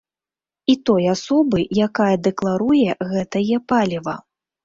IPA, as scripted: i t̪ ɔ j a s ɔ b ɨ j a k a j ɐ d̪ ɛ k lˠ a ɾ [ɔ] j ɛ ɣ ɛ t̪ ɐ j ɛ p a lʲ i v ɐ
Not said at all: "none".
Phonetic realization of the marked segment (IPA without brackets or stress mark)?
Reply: u